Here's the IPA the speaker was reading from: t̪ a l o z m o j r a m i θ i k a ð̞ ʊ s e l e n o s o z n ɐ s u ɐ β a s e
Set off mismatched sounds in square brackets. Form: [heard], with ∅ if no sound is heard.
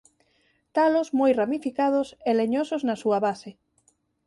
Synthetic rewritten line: t̪ a l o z m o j r a m i [f] i k a ð̞ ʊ s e l e [ɲ] o s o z n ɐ s u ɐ β a s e